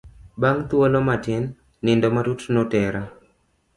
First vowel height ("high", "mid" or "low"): low